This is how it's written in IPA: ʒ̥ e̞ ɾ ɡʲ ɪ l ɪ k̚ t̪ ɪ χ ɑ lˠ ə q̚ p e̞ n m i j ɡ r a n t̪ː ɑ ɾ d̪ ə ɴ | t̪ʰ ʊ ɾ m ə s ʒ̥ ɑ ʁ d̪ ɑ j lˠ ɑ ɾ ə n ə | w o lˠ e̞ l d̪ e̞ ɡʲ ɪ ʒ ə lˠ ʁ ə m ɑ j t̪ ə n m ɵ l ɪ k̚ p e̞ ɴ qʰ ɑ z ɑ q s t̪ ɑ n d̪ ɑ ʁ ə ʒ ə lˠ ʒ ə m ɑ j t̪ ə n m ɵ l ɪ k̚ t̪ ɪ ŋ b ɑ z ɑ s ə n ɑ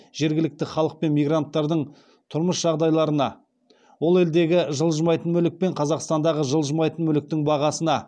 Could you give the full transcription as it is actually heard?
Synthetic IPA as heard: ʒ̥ e̞ ɾ ɡʲ ɪ l ɪ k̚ t̪ ɪ χ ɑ lˠ ə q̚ p e̞ n m i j ɡ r a n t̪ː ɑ ɾ d̪ ə ɴ | t̪ʰ ʊ ɾ m ə s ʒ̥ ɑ ʁ d̪ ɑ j lˠ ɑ ɾ ə n ɑ | w o lˠ e̞ l d̪ e̞ ɡʲ ɪ ʒ ə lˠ ʒ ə m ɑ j t̪ ə n m ɵ l ɪ k̚ p e̞ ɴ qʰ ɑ z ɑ q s t̪ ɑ n d̪ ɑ ʁ ə ʒ ə lˠ ʒ ə m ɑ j t̪ ə n m ɵ l ɪ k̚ t̪ ɪ ŋ b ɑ ʁ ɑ s ə n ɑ